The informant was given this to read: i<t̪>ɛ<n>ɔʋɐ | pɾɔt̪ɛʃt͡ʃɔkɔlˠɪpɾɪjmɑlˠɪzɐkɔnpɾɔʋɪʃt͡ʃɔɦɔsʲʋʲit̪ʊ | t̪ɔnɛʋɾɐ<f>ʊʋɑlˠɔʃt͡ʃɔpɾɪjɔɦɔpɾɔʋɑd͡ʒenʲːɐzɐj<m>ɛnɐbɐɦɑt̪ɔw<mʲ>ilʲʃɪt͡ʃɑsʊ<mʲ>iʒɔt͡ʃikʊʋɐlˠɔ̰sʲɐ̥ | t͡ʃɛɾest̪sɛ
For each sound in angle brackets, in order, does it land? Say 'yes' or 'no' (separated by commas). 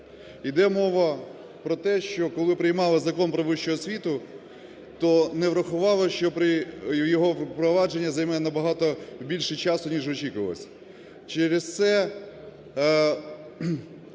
no, no, no, yes, no, no